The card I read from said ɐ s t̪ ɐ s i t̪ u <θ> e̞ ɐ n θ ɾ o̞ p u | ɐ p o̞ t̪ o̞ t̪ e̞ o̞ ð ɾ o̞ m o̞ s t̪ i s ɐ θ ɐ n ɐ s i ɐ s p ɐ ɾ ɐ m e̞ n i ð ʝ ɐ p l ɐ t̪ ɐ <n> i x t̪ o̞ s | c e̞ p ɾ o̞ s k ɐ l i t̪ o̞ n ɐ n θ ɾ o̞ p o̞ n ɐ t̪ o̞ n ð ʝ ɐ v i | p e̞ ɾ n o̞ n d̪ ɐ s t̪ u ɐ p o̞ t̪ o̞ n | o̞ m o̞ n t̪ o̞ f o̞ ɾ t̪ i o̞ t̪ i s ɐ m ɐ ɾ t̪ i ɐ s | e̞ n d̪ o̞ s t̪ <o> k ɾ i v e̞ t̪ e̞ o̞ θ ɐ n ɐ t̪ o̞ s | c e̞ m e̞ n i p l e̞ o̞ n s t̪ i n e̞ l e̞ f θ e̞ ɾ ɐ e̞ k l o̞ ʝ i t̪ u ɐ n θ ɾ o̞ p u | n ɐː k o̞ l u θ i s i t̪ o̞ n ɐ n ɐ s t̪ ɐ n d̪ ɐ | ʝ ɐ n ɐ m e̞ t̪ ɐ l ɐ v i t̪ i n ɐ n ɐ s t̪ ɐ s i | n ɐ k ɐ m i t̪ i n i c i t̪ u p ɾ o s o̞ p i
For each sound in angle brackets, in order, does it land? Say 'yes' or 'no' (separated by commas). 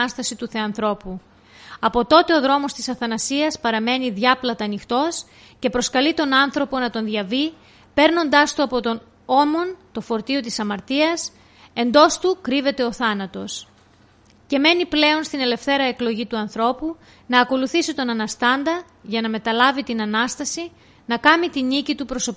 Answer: yes, yes, no